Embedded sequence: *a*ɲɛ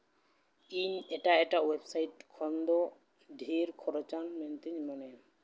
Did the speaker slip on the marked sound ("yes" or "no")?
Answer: yes